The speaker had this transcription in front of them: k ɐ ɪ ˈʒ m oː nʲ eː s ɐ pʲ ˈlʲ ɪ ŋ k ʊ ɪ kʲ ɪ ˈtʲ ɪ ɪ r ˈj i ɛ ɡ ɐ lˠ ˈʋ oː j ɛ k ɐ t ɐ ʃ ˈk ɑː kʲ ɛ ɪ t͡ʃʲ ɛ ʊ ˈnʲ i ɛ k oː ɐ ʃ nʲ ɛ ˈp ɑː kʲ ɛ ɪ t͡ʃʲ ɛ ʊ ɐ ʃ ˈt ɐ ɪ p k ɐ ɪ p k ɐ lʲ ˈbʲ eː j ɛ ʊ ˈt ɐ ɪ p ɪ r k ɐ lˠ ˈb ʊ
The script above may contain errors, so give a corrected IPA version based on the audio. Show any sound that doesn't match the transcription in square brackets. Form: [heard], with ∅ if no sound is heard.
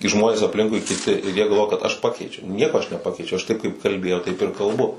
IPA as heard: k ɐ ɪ ˈʒ m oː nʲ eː s ɐ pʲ ˈlʲ ɪ ŋ k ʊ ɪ kʲ ɪ ˈtʲ ɪ ɪ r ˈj i ɛ ɡ ɐ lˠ ˈʋ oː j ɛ k ɐ t ɐ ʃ [ˈp] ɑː kʲ ɛ ɪ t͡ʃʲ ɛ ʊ ˈnʲ i ɛ k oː ɐ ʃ nʲ ɛ ˈp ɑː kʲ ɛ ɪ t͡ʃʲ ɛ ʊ ɐ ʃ ˈt ɐ ɪ p k ɐ ɪ p k ɐ lʲ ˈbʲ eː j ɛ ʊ ˈt ɐ ɪ p ɪ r k ɐ lˠ ˈb ʊ